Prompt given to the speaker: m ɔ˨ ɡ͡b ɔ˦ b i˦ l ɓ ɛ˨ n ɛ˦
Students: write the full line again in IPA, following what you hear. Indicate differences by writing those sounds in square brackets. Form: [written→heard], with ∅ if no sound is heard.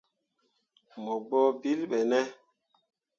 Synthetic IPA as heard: m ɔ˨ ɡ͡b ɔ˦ b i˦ l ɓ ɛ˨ n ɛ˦

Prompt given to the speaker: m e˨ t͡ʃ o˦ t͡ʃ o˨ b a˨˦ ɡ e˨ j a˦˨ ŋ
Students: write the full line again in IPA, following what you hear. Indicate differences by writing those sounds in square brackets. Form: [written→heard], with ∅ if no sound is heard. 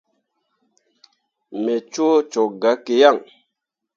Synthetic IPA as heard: m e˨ t͡ʃ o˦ t͡ʃ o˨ [b→ɡ] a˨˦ [ɡ→k] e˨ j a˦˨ ŋ

